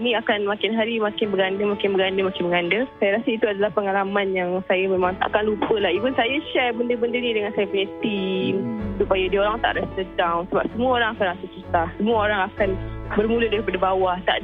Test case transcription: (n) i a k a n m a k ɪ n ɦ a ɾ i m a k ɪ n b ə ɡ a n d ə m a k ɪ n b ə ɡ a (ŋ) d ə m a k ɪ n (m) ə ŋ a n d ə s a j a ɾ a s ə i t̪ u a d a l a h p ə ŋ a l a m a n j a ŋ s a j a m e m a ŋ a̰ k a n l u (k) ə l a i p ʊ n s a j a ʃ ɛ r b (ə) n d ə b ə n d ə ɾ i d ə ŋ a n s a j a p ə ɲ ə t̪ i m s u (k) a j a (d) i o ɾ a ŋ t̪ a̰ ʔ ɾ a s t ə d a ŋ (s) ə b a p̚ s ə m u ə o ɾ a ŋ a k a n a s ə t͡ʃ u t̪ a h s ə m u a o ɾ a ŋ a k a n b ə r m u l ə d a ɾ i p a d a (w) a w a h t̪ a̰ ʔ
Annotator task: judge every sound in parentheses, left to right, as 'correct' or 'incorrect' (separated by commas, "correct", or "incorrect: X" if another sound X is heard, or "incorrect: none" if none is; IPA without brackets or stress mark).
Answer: correct, incorrect: n, correct, incorrect: p, correct, incorrect: p, correct, correct, incorrect: b